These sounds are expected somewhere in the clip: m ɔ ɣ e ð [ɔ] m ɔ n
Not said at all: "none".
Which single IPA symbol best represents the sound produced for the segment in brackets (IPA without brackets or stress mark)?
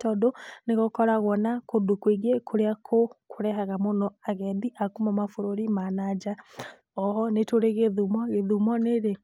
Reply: u